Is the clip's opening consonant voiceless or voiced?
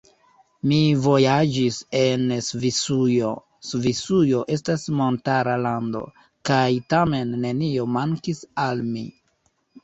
voiced